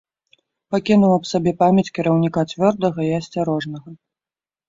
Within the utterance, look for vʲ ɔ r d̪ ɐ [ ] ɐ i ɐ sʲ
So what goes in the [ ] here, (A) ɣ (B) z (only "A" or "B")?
A